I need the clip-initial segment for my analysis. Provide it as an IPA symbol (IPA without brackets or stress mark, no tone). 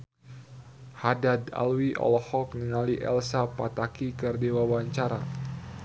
h